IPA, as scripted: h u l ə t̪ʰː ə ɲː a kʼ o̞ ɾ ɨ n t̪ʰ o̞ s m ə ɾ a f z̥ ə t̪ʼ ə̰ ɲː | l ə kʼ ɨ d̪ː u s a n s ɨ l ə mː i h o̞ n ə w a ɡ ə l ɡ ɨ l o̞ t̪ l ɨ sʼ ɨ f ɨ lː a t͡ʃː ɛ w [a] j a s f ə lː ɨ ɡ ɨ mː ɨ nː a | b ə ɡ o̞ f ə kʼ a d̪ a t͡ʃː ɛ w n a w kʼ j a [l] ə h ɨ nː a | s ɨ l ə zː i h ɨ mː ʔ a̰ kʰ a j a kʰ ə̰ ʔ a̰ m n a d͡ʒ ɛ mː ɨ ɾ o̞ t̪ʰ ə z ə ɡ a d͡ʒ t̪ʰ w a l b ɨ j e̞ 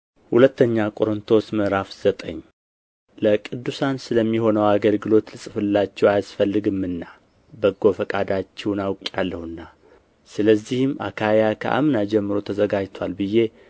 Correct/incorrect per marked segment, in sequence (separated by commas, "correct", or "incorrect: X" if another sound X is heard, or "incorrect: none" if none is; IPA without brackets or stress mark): correct, incorrect: lː